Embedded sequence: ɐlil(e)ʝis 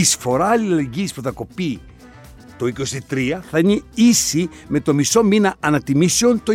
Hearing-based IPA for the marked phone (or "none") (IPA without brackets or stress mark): e